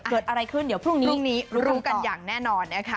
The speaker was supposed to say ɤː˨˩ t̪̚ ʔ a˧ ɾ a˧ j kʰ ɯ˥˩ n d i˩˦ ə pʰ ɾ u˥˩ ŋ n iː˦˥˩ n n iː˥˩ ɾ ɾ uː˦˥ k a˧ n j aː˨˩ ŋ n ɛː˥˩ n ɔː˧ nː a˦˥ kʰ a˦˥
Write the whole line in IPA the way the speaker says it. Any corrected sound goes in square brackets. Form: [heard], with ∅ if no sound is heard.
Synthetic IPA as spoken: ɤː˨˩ t̪̚ ʔ a˧ ɾ a˧ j kʰ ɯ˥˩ n d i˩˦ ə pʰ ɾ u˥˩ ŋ n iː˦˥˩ [ŋ] n [iː˦˥] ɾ ɾ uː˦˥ k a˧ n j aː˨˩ ŋ n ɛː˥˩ n ɔː˧ nː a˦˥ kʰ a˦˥